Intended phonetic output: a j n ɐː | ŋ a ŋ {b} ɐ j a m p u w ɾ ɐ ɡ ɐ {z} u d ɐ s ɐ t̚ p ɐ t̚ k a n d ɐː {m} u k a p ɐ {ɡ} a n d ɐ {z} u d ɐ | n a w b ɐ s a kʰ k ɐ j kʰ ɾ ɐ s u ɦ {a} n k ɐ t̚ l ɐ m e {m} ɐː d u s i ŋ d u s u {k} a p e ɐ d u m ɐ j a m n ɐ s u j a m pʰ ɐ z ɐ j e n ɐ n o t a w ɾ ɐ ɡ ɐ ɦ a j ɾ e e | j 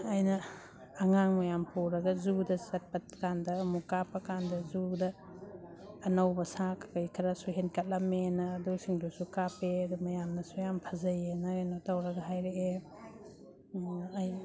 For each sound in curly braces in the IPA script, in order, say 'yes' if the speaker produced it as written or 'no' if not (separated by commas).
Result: no, yes, yes, no, yes, no, no, yes